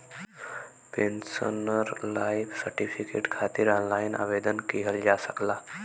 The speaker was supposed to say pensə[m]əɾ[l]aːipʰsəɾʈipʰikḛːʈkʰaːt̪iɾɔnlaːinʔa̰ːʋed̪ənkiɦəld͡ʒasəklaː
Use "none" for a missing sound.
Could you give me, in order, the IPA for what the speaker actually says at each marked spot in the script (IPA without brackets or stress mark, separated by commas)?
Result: n, l